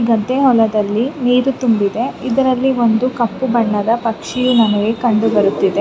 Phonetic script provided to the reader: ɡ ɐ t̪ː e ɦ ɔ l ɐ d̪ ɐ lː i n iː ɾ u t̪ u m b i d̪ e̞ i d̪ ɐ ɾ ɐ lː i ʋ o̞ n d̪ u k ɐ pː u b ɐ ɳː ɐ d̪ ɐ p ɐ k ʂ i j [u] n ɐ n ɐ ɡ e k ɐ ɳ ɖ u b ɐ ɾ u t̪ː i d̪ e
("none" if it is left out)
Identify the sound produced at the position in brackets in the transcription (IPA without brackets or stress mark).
u